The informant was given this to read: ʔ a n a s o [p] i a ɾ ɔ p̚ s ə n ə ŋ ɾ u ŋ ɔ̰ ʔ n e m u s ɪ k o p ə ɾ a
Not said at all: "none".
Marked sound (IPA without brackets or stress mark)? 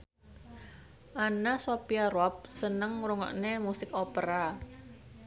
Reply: p